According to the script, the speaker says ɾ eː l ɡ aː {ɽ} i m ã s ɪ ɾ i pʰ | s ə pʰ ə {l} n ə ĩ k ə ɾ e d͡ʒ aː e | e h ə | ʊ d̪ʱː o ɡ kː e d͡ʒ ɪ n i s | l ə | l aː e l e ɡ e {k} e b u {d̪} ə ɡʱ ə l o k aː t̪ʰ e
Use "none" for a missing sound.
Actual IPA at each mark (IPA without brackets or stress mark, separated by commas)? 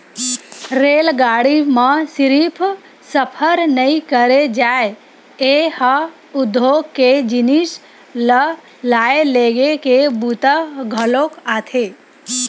ɽ, ɾ, k, t̪